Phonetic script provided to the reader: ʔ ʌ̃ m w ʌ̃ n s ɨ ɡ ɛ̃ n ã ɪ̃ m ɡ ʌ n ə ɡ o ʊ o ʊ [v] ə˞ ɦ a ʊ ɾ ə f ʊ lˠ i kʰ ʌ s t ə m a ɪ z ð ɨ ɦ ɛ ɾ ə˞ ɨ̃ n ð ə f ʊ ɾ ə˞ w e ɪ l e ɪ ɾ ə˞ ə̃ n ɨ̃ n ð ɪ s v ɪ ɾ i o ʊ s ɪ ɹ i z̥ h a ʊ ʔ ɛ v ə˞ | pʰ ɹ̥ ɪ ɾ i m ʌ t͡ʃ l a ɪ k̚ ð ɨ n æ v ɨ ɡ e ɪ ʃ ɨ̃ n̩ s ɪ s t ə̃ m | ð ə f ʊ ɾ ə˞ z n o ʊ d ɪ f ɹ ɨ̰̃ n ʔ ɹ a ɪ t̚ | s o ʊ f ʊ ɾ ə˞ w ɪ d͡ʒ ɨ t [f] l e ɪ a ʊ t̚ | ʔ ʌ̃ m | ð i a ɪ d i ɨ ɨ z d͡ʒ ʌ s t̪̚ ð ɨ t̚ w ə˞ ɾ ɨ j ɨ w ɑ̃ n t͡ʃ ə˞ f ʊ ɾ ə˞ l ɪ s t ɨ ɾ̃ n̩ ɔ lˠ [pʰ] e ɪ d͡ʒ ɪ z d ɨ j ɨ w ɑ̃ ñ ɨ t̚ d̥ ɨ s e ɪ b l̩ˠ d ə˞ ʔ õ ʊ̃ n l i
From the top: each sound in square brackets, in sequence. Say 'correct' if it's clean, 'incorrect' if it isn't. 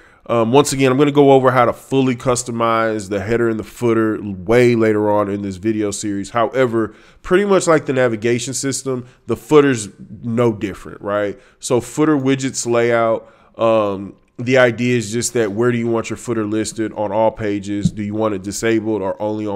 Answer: correct, incorrect: s, correct

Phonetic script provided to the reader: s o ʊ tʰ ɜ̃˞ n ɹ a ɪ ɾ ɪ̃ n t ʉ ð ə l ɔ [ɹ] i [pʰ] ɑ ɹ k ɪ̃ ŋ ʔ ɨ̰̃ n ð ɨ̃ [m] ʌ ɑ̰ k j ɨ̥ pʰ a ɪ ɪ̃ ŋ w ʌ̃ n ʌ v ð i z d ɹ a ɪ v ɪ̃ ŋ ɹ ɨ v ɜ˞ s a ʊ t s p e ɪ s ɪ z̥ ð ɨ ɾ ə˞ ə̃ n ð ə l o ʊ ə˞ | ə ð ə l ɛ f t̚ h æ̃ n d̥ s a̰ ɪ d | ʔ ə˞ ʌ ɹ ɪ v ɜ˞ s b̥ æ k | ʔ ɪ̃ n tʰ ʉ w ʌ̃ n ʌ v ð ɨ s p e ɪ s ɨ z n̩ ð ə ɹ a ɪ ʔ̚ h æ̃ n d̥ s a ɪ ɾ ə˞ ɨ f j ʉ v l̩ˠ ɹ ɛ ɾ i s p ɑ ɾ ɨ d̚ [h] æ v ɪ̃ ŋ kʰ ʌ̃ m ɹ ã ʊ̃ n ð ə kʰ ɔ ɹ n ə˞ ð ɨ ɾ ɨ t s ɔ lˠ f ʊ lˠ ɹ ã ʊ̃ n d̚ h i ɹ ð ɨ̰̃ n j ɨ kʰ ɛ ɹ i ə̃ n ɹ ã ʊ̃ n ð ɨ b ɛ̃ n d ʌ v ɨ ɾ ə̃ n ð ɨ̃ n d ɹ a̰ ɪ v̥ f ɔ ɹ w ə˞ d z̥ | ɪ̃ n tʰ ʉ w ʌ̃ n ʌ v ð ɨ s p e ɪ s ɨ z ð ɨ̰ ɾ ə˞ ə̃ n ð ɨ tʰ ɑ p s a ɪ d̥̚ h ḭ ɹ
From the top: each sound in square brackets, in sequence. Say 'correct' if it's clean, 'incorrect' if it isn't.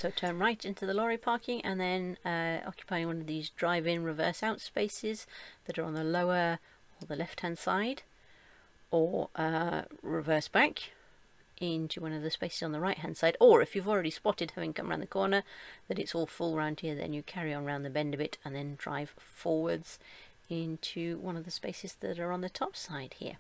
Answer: correct, correct, incorrect: n, correct

